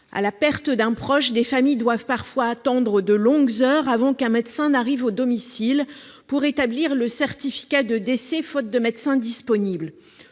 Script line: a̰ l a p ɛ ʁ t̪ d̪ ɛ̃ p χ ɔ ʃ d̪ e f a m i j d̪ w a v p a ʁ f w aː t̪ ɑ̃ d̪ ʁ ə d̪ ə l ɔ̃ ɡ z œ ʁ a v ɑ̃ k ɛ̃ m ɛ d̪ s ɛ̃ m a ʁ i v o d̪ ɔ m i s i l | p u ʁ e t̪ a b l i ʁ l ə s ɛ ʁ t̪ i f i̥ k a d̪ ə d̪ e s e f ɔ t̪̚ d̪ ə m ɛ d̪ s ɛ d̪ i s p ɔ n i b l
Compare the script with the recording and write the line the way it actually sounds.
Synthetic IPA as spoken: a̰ l a p ɛ ʁ t̪ d̪ ɛ̃ p χ ɔ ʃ d̪ e f a m i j d̪ w a v p a ʁ f w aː t̪ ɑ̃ d̪ ʁ ə d̪ ə l ɔ̃ ɡ z œ ʁ a v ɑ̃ k ɛ̃ m ɛ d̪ s ɛ̃ n a ʁ i v o d̪ ɔ m i s i l | p u ʁ e t̪ a b l i ʁ l ə s ɛ ʁ t̪ i f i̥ k a d̪ ə d̪ e s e f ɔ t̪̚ d̪ ə m ɛ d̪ s ɛ̃ d̪ i s p ɔ n i b l